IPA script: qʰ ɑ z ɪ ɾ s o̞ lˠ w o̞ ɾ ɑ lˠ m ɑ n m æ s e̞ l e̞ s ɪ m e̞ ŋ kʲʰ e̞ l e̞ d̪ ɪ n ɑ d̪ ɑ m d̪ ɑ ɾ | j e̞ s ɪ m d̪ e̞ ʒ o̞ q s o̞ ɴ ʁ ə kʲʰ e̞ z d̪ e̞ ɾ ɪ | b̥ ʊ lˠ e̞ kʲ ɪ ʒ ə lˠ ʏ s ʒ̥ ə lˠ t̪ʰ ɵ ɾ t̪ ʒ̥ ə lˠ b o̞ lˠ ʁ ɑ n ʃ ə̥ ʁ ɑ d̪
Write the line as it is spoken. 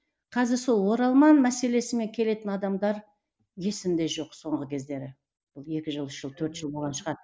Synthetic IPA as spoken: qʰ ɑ z ɪ ɾ s o̞ lˠ w o̞ ɾ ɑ lˠ m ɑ n m æ s e̞ l e̞ s ɪ m e̞ ŋ kʲʰ e̞ l e̞ t̪ ɪ n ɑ d̪ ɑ m d̪ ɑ ɾ | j e̞ s ɪ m d̪ e̞ ʒ o̞ q s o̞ ɴ ʁ ə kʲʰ e̞ z d̪ e̞ ɾ ɪ | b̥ ʊ lˠ e̞ kʲ ɪ ʒ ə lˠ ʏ ʃ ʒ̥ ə lˠ t̪ʰ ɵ ɾ t̪ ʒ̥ ə lˠ b o̞ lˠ ʁ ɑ n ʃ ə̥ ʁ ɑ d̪